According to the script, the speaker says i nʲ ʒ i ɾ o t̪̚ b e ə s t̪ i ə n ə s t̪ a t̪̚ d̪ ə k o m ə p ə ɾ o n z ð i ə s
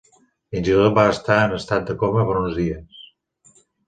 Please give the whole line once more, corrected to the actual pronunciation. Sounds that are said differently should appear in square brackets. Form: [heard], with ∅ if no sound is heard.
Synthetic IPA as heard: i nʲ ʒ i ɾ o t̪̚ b [a] ə s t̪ [a] ə n ə s t̪ a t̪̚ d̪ ə k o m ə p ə ɾ [u] n z ð i ə s